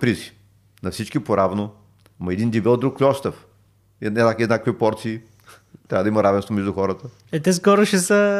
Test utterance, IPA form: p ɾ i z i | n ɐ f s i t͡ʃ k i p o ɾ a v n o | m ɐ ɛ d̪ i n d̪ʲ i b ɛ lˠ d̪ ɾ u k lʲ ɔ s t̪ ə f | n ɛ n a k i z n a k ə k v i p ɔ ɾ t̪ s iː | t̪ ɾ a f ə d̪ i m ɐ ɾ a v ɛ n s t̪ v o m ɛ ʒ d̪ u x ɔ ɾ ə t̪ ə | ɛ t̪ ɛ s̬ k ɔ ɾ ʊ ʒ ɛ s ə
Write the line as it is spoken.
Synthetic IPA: p ɾ i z i | n ɐ f s i t͡ʃ k i p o ɾ a v n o | m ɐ ɛ d̪ i n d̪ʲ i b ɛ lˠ d̪ ɾ u k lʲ ɔ s t̪ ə f | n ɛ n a k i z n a k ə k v i p ɔ ɾ t̪ s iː | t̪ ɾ a v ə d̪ i m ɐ ɾ a v ɛ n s t̪ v o m ɛ ʒ d̪ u x ɔ ɾ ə t̪ ə | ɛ t̪ ɛ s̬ k ɔ ɾ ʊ ʃ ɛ s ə